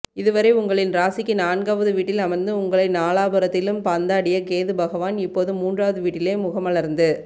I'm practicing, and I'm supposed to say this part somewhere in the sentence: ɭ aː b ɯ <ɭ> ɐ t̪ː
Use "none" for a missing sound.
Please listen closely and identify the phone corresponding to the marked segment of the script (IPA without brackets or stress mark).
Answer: ɾ